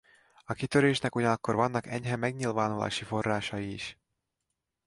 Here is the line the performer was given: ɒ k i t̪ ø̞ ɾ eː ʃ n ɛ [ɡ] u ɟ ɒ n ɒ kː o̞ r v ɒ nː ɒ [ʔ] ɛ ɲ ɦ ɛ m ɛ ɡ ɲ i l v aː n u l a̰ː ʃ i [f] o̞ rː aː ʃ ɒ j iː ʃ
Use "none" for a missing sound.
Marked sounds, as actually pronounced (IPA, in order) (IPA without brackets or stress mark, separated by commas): k, k, f